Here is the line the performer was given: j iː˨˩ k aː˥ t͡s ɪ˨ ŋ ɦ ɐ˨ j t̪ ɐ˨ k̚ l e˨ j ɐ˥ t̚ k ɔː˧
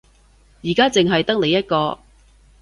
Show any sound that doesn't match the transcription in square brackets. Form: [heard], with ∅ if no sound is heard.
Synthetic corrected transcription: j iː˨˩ k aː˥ t͡s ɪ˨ ŋ ɦ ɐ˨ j t̪ [ɐ˥] k̚ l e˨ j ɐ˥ t̚ k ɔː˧